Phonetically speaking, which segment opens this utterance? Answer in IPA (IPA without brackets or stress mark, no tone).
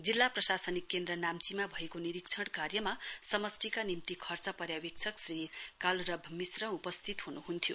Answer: d͡z